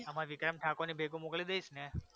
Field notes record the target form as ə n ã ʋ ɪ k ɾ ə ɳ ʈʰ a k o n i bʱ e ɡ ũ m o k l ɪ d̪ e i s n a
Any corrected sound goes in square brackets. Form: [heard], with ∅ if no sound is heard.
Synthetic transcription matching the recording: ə [m] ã ʋ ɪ k ɾ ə [m] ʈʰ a k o n i bʱ e ɡ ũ m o k l [i] d̪ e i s n [e]